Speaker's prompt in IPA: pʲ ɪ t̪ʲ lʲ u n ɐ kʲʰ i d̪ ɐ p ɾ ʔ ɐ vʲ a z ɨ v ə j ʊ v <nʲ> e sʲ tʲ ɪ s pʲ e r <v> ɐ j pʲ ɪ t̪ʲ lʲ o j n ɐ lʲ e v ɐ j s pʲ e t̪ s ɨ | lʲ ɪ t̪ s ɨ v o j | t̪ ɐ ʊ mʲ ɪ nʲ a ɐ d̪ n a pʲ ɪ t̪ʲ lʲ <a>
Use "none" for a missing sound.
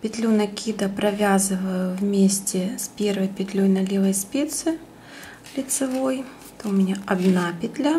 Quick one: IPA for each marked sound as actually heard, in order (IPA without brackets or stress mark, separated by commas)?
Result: mʲ, v, a